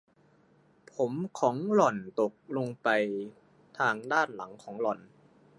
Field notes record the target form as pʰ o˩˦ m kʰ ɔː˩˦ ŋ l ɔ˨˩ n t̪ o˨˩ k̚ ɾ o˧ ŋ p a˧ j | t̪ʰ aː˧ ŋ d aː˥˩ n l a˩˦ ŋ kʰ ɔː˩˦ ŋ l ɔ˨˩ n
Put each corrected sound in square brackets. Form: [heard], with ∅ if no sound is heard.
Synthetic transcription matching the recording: pʰ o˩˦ m kʰ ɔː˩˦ ŋ l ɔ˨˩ n t̪ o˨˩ k̚ [l] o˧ ŋ p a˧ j | t̪ʰ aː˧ ŋ d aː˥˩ n l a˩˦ ŋ kʰ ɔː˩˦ ŋ l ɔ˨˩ n